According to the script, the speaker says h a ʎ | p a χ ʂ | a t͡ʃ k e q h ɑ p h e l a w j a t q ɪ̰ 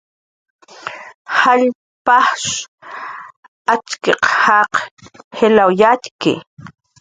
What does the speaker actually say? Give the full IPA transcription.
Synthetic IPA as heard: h a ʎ | p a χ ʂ | a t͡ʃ k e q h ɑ q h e l a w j a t k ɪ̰